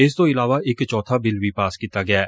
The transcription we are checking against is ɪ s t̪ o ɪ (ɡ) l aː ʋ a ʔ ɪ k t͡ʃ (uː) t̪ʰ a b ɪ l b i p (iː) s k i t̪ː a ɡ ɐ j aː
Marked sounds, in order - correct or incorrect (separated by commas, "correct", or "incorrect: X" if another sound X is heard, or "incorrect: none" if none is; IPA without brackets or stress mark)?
incorrect: none, incorrect: ɔː, incorrect: aː